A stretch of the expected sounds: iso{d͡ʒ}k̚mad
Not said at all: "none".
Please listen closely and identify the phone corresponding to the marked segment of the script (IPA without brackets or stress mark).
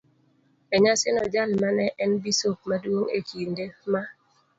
none